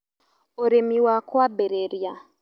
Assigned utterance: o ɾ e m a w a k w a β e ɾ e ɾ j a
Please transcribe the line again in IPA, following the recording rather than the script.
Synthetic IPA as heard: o ɾ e m i w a k w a b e ɾ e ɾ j a